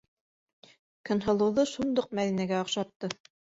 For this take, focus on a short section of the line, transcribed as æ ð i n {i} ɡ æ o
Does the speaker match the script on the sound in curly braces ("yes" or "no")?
no